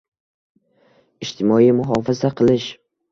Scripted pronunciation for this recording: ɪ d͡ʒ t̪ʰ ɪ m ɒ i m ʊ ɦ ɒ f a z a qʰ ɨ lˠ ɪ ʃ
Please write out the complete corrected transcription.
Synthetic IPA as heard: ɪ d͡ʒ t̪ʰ ɪ m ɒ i m ʊ ɦ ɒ f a z a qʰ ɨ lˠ ɪ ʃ

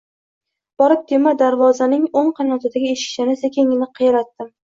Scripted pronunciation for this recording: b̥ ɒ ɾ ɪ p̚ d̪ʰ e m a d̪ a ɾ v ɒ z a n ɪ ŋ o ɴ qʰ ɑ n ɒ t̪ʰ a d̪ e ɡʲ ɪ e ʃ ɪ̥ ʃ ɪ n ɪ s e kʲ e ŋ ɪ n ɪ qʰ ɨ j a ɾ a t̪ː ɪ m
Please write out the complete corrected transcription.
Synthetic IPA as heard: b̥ ɒ ɾ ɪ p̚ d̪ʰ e m a d̪ a ɾ v ɒ z a n ɪ ŋ o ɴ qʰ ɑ n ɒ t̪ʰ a d̪ a ɡʲ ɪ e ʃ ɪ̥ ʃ ɪ n ɪ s e kʲ e ŋ ɪ n ɪ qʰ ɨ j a ɾ a t̪ː ɪ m

